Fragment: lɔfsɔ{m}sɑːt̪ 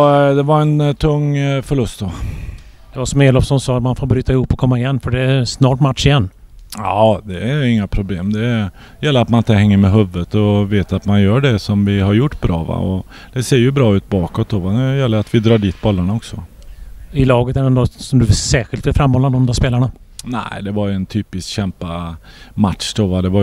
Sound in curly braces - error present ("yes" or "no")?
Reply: yes